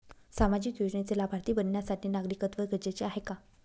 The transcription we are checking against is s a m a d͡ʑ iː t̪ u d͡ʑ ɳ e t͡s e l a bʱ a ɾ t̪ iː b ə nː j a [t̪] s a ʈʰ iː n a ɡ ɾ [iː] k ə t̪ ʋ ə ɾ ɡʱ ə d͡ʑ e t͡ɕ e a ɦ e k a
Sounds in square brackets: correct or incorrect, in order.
incorrect: none, incorrect: i

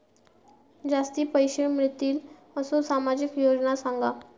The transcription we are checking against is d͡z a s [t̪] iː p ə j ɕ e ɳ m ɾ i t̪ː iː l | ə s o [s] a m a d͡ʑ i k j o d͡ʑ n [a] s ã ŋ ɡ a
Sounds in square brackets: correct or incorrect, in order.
correct, correct, correct

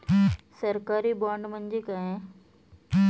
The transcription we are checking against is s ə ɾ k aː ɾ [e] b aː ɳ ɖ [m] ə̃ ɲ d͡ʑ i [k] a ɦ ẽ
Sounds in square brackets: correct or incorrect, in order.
incorrect: i, correct, correct

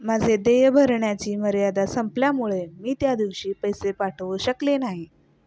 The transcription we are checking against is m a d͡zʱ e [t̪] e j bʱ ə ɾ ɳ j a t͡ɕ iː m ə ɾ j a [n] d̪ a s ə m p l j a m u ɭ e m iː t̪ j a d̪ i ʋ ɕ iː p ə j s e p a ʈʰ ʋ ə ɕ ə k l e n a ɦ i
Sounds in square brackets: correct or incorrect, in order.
incorrect: d̪, incorrect: none

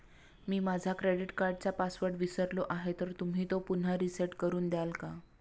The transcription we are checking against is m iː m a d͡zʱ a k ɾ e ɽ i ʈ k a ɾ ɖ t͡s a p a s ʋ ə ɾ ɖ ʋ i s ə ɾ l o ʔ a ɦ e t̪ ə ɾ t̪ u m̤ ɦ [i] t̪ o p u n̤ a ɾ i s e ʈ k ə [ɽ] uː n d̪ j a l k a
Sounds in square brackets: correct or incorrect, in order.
incorrect: iː, incorrect: ɾ

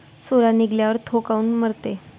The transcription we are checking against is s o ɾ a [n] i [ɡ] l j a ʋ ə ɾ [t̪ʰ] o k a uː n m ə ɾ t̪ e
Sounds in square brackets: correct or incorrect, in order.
correct, correct, correct

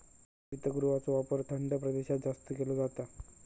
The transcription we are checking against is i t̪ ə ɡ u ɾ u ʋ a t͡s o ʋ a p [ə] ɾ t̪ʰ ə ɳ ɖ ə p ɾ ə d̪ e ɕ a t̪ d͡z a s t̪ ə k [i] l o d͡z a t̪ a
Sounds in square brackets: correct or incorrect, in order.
correct, incorrect: e

